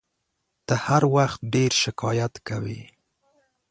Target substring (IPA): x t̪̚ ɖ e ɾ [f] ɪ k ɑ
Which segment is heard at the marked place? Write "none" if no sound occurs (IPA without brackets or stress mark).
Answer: ʃ